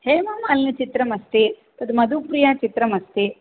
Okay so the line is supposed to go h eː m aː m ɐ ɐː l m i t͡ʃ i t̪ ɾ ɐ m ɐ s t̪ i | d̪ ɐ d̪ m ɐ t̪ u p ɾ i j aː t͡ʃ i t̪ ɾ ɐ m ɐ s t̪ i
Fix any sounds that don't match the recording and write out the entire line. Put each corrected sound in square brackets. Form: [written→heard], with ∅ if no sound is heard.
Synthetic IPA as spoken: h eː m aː m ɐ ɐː l [m→n] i t͡ʃ i t̪ ɾ ɐ m ɐ s t̪ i | [d̪→t̪] ɐ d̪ m ɐ [t̪→d̪] u p ɾ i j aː t͡ʃ i t̪ ɾ ɐ m ɐ s t̪ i